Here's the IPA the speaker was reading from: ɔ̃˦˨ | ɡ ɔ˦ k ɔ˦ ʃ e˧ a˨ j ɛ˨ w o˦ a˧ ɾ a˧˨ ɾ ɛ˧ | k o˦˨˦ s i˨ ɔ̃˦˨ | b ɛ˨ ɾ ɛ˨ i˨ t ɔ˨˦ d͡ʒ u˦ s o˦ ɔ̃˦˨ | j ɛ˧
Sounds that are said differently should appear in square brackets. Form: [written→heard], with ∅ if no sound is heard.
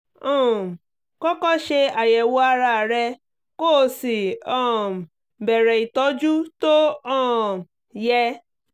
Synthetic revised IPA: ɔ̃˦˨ | [ɡ→k] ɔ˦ k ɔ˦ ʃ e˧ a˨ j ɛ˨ w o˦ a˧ ɾ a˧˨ ɾ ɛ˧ | k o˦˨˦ s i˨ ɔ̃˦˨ | b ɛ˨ ɾ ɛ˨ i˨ t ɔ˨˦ d͡ʒ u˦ [s→t] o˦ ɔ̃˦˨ | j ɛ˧